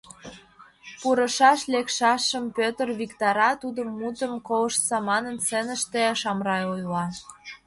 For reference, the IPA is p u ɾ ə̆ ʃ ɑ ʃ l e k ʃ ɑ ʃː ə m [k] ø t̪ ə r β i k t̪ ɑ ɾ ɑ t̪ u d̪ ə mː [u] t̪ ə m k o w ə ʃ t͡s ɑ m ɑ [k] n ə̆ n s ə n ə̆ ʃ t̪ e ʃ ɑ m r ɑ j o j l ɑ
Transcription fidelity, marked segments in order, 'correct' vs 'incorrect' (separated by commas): incorrect, correct, incorrect